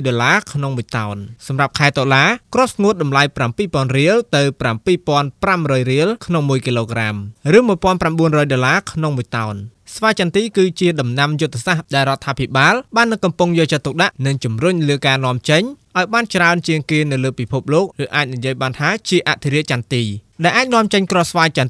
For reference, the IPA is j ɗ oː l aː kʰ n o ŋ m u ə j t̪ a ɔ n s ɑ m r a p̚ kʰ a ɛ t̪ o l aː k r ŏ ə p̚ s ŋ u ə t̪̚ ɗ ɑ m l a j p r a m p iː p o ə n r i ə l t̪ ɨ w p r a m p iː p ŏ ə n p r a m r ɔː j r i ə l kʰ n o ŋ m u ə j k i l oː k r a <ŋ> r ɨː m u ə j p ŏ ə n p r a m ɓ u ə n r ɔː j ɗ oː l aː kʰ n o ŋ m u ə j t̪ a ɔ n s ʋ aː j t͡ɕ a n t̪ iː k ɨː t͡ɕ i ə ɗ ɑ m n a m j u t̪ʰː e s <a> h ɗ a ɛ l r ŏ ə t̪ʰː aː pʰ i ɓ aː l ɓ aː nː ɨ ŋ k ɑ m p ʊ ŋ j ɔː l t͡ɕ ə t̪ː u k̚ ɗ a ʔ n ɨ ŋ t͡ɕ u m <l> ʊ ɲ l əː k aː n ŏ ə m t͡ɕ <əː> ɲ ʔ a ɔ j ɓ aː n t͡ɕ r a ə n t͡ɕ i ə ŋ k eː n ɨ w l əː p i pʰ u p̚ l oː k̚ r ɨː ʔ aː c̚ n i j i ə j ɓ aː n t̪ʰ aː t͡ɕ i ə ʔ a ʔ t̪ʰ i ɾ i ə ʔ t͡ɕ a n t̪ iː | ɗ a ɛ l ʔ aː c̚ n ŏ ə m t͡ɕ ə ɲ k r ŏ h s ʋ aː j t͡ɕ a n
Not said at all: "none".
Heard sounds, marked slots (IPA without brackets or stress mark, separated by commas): m, a, r, ə